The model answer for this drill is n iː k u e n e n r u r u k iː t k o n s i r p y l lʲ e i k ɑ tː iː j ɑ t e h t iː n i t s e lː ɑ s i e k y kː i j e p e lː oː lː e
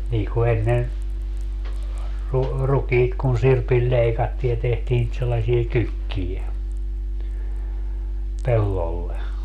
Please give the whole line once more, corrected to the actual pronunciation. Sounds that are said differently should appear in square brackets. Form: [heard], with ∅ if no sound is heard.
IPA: n iː k u e [nː] e n r u r u k iː t k [u] n s i r p [i] l lʲ e i k ɑ tː iː j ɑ t e h t iː n i t s e lː ɑ s i e k y kː i j e p e lː [o] lː e